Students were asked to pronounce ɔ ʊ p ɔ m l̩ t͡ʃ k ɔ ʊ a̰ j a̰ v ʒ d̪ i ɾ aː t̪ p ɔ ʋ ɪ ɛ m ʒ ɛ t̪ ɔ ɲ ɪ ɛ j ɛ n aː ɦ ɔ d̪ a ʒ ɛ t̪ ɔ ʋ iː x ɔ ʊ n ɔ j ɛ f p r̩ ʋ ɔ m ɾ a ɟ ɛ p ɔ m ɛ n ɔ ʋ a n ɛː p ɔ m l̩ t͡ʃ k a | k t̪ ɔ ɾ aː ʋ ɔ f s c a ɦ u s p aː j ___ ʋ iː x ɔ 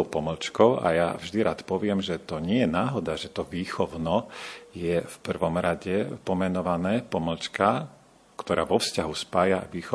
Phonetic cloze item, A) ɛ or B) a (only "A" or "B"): B